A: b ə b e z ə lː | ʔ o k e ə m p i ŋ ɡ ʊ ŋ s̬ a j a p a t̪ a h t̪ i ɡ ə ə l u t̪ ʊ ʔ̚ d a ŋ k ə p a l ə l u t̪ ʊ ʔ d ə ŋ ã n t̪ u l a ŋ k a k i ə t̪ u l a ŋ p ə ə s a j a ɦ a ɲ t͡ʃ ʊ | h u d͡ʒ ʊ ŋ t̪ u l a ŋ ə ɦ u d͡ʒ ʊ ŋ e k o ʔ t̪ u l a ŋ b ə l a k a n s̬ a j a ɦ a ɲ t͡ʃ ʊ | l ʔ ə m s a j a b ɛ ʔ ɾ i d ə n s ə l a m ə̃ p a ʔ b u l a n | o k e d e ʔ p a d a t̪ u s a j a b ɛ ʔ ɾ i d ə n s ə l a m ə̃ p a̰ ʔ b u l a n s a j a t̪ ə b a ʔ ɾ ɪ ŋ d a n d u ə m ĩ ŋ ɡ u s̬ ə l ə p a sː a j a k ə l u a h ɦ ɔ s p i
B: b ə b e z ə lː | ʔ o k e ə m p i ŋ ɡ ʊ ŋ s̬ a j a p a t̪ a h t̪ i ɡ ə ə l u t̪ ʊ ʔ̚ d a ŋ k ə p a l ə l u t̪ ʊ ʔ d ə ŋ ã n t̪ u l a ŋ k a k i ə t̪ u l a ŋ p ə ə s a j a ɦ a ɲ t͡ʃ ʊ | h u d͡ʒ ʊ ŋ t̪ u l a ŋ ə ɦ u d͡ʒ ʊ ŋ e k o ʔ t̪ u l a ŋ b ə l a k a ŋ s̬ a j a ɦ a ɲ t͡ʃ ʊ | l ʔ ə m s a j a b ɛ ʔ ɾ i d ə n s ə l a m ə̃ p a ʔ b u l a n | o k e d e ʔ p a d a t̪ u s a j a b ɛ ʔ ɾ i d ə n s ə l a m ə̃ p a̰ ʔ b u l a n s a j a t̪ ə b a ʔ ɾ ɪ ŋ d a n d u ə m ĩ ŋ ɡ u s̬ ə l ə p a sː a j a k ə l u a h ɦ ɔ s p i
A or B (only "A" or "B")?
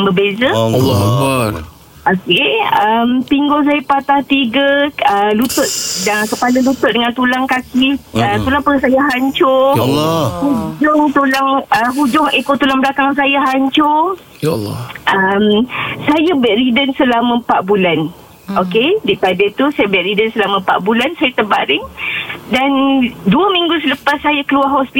B